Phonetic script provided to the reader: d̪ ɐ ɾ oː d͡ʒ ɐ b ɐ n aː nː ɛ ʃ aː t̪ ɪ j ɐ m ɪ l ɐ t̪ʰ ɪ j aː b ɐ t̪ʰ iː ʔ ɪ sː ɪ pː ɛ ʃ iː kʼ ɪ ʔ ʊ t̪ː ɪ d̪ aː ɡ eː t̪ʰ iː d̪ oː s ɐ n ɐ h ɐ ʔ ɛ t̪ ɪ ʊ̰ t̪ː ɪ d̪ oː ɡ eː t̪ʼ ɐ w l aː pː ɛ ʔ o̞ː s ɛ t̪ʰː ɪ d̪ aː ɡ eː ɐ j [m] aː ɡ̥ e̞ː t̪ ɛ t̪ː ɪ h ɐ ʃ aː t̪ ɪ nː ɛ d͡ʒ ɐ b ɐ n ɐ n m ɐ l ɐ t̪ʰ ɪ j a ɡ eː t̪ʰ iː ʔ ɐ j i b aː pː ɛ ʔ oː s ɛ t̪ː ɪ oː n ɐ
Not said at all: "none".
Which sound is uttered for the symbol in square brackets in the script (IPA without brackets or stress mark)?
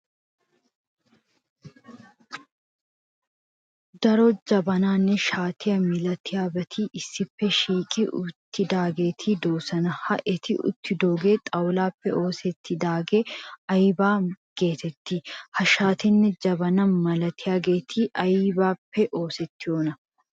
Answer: b